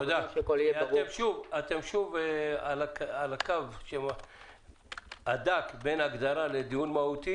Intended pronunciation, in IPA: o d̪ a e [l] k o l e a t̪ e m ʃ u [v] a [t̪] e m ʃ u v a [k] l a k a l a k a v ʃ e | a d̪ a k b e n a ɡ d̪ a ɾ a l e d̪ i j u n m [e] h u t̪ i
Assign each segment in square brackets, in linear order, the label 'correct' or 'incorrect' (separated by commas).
incorrect, correct, correct, incorrect, incorrect